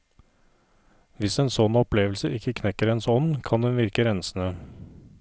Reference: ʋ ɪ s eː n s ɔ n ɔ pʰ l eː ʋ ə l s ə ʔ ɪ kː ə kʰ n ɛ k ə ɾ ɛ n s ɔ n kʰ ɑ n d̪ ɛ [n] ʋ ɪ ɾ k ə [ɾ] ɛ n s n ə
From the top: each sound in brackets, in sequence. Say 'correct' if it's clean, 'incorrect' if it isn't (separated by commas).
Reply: correct, correct